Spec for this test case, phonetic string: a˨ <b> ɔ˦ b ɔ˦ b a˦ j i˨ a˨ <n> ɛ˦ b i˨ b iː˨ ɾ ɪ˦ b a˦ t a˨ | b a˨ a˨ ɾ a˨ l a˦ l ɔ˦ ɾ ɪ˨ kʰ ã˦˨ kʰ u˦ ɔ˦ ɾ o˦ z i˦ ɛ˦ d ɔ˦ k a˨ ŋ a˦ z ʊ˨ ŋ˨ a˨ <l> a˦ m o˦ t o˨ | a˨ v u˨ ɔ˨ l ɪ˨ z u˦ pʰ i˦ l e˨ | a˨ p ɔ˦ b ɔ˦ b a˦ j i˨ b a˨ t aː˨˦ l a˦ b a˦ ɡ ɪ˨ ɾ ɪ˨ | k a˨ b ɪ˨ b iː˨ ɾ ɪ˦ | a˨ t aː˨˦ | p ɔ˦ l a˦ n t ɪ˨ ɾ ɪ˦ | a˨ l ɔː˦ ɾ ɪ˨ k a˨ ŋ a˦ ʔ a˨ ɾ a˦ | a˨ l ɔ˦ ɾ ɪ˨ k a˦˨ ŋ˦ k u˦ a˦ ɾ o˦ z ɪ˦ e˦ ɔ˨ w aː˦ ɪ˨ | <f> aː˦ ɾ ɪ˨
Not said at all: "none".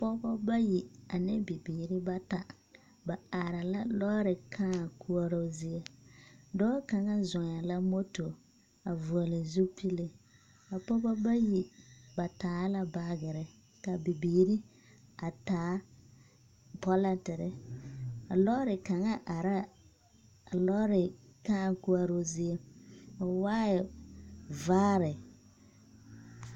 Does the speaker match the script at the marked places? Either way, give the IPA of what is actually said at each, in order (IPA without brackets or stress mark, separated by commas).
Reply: p, n, l, v